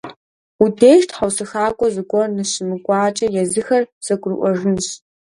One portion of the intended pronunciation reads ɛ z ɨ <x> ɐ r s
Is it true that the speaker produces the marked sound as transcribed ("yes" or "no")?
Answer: yes